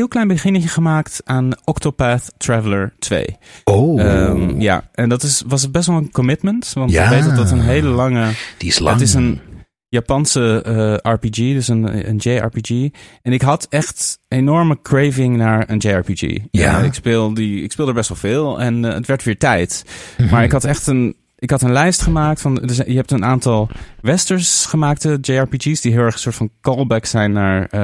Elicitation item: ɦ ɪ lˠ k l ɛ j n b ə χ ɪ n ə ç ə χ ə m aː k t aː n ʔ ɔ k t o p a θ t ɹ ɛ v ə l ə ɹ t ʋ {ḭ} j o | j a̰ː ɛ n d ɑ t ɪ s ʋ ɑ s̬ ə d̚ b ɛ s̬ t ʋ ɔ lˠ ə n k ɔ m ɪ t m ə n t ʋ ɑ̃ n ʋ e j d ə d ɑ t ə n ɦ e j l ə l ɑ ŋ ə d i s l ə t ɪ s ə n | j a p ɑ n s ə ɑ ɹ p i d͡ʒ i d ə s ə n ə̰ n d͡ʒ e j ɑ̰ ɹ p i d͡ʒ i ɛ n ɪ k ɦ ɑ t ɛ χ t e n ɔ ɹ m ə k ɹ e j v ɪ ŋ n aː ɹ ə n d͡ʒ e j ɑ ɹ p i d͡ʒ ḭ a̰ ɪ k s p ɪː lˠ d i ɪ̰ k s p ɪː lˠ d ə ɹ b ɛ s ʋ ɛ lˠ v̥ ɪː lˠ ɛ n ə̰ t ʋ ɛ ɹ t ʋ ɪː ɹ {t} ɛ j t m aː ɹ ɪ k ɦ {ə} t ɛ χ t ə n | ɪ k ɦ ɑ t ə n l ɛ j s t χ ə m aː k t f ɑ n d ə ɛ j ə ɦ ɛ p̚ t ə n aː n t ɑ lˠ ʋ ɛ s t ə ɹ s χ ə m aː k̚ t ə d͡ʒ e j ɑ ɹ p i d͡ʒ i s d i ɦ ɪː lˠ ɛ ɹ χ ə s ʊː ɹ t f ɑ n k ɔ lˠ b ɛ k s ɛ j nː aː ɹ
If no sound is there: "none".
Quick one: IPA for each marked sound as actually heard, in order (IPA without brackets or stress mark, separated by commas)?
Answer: ḛ, t, ɑ